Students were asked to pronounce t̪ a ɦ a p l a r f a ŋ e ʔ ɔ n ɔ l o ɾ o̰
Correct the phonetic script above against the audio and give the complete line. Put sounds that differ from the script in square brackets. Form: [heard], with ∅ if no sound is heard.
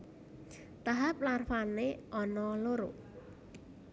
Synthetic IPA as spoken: t̪ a ɦ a p l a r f a [n] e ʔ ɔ n ɔ l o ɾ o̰